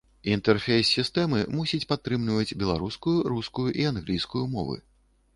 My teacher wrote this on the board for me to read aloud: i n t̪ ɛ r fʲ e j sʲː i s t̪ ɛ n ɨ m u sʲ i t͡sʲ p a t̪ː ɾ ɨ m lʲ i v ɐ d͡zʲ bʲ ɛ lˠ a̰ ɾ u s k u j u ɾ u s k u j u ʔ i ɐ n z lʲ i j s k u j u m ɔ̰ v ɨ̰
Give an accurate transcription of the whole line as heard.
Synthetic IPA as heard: i n t̪ ɛ r fʲ e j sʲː i s t̪ ɛ m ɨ m u sʲ i t͡sʲ p a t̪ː ɾ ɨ m lʲ i v ɐ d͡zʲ bʲ ɛ lˠ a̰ ɾ u s k u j u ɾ u s k u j u ʔ i a n ɣ lʲ i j s k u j u m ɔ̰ v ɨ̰

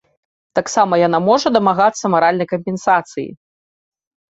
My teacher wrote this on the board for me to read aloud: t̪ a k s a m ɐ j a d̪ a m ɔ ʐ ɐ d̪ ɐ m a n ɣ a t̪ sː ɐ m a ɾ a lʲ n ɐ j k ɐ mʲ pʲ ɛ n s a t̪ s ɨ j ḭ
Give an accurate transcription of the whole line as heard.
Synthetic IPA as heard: t̪ a k s a m ɐ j a n̪ a m ɔ ʐ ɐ d̪ ɐ m a ɣ a t̪ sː ɐ m a ɾ a lʲ n ɐ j k ɐ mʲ pʲ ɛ n s a t̪ s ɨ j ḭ

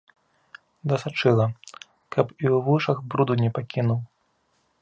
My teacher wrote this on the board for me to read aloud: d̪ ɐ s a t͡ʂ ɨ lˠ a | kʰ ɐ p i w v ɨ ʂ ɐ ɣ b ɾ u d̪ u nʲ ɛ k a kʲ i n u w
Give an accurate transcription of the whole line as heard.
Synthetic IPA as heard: d̪ ɐ s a t͡ʂ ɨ lˠ ɐ | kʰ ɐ p i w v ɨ ʂ ɐ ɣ b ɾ u d̪ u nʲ ɛ p a kʲ i n u w

